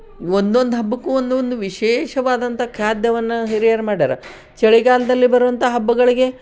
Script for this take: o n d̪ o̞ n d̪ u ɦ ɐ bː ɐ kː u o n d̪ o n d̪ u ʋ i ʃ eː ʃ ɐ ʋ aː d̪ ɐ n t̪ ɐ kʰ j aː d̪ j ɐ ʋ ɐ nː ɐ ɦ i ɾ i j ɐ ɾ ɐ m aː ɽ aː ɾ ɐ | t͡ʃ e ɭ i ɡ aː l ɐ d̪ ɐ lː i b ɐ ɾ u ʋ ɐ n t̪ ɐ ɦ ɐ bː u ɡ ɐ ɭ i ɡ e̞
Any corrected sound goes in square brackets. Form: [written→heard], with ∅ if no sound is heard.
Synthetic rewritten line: o n d̪ o̞ n d̪ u ɦ ɐ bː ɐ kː u o n d̪ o n d̪ u ʋ i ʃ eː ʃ ɐ ʋ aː d̪ ɐ n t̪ ɐ kʰ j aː d̪ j ɐ ʋ ɐ nː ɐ ɦ i ɾ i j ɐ ɾ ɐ m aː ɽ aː ɾ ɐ | t͡ʃ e ɭ i ɡ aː l ɐ d̪ ɐ lː i b ɐ ɾ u ʋ ɐ n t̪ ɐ ɦ ɐ bː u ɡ ɐ ɭ i ɡ e̞